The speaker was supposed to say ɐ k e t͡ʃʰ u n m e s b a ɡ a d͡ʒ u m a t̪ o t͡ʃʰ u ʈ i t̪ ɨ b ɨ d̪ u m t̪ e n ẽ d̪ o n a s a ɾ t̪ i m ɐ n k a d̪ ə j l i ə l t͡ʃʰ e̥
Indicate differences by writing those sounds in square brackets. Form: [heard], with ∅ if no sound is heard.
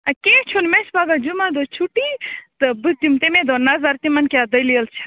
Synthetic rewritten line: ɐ k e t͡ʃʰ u n m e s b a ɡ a d͡ʒ u m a [d̪] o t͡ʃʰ u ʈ i t̪ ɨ b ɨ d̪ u m t̪ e [m] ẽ d̪ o n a [z] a ɾ t̪ i m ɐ n k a d̪ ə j l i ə l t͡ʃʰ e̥